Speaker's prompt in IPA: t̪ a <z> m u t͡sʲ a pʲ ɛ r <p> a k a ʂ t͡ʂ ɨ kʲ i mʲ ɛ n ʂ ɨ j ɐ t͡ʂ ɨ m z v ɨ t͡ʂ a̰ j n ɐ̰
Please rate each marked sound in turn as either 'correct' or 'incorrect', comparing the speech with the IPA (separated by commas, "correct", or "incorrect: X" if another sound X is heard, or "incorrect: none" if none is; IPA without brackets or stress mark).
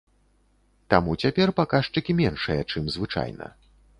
incorrect: none, correct